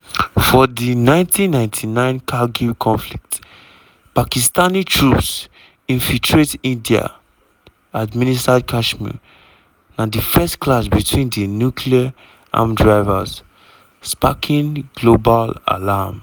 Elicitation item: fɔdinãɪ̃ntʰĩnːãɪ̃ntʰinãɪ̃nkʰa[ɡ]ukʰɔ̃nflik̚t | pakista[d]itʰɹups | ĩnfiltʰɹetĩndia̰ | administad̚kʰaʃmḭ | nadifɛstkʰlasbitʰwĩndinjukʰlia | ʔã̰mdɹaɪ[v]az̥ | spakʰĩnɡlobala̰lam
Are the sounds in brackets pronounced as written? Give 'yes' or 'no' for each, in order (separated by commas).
yes, no, yes